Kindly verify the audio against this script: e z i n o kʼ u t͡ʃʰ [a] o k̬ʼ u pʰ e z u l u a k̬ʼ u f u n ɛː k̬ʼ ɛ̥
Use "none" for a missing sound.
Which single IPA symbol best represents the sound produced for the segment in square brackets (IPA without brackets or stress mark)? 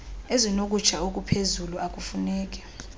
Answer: a